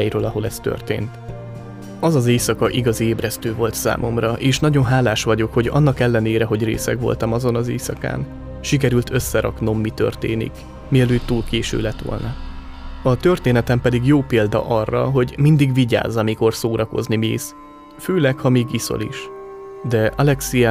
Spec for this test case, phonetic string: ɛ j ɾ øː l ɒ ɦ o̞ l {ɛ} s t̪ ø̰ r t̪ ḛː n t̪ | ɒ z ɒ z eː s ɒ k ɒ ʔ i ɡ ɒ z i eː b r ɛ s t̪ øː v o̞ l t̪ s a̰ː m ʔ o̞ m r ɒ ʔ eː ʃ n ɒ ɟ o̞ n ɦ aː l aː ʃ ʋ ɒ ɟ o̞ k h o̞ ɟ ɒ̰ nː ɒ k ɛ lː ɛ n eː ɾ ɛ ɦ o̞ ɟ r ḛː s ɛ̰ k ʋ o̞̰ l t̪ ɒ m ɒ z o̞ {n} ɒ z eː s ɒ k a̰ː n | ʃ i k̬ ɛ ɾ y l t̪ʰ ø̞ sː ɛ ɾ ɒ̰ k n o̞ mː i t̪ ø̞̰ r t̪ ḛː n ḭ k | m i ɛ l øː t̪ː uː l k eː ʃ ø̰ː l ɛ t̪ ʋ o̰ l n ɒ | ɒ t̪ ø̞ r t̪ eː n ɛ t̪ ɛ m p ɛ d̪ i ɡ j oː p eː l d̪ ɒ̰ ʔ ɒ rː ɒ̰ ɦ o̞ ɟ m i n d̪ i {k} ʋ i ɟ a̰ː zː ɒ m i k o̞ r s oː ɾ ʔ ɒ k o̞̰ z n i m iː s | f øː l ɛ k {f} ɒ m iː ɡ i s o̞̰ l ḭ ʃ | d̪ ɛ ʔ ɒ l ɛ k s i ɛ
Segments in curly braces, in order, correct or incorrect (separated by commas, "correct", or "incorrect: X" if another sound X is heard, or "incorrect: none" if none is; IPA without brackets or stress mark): correct, correct, incorrect: ɡ, incorrect: h